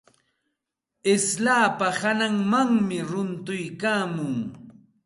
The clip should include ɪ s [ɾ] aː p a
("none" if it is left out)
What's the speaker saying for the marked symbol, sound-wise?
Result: l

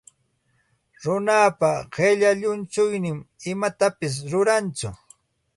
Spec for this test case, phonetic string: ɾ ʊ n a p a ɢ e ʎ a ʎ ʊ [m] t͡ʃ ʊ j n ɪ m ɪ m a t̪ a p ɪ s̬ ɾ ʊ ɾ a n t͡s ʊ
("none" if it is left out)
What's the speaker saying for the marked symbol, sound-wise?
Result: n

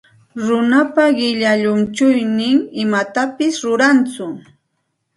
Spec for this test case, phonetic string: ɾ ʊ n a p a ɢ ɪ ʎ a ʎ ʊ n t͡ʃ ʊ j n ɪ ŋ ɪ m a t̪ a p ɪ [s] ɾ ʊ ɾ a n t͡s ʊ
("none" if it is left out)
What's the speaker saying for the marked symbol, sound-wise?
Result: s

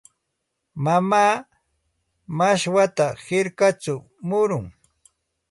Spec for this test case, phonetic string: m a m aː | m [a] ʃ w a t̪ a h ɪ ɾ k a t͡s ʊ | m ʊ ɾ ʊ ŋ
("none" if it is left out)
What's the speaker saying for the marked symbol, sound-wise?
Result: a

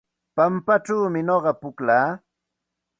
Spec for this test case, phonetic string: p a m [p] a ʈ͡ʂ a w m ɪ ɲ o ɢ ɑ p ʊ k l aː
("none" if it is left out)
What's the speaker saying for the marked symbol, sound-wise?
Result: p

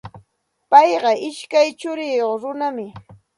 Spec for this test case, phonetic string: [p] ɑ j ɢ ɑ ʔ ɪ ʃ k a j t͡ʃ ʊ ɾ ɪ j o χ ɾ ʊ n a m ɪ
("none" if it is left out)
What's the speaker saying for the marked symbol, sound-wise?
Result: p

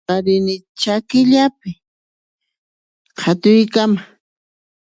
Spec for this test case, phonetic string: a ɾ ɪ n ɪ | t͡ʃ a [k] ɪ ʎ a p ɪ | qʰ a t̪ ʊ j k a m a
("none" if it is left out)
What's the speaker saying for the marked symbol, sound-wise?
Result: k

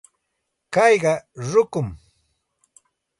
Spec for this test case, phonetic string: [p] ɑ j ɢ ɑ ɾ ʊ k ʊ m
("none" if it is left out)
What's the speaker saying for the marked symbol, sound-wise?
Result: k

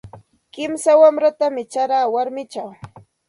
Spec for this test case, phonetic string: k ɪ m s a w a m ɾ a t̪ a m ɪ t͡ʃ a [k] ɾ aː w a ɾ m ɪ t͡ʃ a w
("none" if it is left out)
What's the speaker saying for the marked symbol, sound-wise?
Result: none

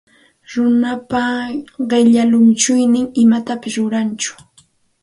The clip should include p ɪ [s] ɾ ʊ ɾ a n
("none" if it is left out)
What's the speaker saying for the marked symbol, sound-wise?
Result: s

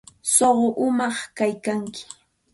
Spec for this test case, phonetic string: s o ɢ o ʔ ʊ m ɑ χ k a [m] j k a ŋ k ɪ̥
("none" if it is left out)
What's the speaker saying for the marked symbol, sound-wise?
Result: none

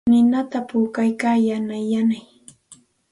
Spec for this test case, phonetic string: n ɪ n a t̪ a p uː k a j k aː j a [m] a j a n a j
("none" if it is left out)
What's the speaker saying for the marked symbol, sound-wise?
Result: n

